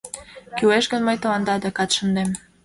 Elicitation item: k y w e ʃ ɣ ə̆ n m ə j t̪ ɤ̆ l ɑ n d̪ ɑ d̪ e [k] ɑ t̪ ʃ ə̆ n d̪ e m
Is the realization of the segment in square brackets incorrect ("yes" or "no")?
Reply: no